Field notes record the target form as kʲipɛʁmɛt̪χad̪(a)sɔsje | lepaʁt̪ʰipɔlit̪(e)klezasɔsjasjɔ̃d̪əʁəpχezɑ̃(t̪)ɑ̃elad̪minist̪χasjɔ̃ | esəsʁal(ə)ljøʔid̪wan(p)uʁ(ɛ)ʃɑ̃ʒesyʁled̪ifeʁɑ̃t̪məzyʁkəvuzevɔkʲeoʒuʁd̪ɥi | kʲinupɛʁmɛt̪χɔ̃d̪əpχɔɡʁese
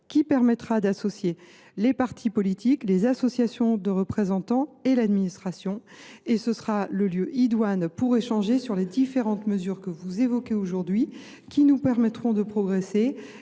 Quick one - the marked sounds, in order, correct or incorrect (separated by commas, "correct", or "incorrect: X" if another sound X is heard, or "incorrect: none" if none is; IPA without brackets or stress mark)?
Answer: correct, incorrect: i, correct, correct, correct, incorrect: e